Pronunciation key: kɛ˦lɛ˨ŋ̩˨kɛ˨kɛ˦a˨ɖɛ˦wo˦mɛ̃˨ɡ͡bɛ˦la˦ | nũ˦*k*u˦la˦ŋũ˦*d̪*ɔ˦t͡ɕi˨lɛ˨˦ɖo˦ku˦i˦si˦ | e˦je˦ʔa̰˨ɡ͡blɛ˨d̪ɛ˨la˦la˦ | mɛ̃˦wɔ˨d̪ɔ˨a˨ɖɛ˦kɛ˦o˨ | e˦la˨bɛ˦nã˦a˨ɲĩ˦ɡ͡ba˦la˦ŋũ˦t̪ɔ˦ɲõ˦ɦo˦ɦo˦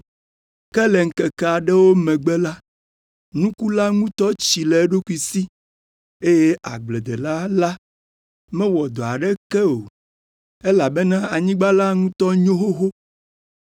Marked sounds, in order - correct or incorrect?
correct, incorrect

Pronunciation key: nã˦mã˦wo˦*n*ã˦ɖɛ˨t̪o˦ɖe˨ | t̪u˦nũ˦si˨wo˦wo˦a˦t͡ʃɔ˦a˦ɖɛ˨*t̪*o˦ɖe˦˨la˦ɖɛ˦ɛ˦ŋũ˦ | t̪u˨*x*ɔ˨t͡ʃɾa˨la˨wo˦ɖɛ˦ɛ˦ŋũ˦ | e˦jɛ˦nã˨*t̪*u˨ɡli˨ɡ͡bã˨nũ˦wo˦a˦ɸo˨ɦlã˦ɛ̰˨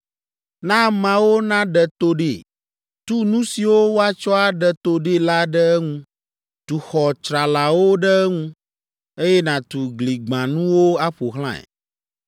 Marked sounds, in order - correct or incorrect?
correct, correct, correct, correct

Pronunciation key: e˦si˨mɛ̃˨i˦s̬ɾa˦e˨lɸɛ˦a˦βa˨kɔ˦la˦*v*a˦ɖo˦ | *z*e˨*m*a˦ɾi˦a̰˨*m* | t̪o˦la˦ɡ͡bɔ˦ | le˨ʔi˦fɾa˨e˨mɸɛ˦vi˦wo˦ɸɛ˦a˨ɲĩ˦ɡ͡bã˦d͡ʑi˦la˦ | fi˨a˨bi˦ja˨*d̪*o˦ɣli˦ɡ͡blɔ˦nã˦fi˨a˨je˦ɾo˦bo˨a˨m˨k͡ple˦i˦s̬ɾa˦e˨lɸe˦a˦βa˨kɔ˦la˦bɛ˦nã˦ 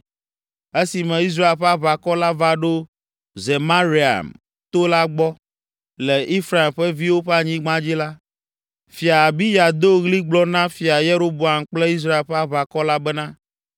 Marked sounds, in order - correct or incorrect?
correct, correct, correct, correct, correct

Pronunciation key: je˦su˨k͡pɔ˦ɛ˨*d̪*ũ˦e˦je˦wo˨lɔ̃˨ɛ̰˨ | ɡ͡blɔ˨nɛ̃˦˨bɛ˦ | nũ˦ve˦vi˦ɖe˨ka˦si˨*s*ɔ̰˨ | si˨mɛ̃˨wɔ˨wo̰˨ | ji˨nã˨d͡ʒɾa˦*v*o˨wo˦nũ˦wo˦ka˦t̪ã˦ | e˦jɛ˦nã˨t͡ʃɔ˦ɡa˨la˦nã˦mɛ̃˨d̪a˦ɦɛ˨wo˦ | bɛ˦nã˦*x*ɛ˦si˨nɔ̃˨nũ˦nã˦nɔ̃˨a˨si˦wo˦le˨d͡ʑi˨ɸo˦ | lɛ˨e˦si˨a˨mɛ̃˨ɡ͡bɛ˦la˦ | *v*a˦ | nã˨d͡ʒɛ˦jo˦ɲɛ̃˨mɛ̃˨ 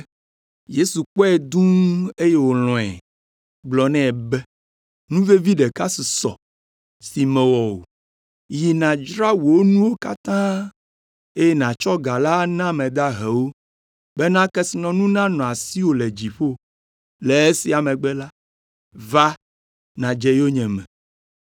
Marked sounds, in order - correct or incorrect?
correct, correct, incorrect, incorrect, correct

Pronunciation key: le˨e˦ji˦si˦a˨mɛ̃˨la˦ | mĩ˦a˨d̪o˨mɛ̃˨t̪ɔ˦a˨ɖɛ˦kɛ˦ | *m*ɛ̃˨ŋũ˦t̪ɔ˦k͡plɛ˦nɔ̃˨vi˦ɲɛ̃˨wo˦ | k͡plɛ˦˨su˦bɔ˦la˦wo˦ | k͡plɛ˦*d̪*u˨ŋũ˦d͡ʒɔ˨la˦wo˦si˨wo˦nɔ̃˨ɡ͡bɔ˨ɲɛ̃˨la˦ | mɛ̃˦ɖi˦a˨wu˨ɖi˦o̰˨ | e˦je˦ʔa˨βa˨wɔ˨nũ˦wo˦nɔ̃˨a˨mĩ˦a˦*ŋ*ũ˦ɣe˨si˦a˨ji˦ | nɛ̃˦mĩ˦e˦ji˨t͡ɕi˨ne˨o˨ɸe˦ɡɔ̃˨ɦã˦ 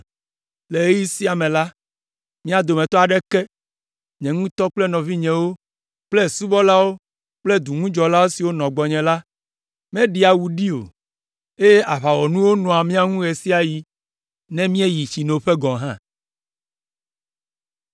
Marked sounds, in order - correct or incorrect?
incorrect, correct, correct

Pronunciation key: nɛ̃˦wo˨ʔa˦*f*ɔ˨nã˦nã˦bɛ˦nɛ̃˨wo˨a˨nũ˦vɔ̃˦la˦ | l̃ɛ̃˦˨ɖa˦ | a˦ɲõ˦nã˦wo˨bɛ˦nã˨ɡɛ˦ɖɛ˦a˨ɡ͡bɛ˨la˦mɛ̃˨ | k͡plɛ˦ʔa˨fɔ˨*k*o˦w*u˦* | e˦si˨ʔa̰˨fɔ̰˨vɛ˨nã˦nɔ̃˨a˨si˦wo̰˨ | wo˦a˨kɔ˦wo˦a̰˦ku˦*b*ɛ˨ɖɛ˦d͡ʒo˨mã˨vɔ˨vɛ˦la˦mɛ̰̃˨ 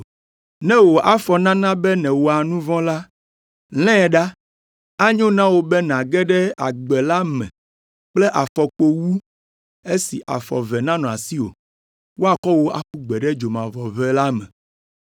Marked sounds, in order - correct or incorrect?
correct, incorrect, correct, incorrect

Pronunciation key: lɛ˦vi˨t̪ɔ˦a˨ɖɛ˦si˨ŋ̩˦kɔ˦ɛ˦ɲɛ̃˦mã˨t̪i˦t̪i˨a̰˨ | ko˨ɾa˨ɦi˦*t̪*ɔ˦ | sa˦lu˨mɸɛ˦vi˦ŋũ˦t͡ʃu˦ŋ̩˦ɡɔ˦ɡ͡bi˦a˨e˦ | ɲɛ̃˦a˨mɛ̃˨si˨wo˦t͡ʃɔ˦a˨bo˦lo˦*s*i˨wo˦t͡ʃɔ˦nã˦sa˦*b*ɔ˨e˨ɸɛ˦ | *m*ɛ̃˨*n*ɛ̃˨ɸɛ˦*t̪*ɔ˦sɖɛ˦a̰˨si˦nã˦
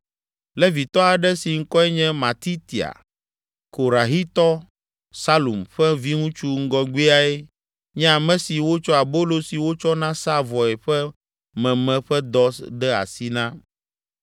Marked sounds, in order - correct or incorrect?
correct, correct, incorrect, correct, incorrect, incorrect

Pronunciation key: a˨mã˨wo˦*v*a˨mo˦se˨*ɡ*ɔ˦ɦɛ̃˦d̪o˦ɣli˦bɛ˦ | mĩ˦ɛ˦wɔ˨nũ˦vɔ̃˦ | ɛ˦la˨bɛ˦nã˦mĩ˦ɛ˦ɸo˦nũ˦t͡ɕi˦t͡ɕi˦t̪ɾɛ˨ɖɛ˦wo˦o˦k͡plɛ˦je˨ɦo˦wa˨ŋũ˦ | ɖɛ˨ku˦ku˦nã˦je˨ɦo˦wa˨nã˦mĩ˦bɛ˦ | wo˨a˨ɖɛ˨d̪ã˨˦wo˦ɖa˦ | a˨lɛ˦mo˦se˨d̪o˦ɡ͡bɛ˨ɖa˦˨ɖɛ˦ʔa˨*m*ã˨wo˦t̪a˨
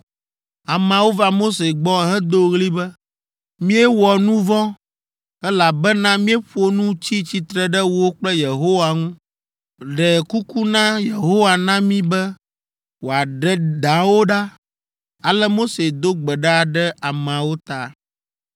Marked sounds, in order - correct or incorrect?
correct, incorrect, correct

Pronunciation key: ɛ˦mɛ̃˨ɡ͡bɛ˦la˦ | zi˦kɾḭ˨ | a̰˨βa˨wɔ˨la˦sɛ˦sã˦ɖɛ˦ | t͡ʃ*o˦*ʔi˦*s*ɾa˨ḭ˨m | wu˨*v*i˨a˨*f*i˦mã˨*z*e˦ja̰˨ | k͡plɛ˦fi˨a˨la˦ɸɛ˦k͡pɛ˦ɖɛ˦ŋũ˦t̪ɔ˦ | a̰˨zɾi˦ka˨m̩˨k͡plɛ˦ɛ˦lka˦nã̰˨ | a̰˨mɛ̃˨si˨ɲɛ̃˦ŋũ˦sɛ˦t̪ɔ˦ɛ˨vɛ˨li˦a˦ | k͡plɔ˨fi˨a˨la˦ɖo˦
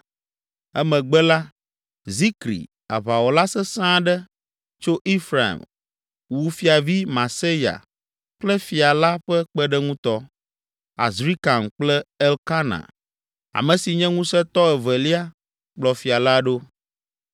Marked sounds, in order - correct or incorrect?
correct, incorrect, incorrect, incorrect, incorrect

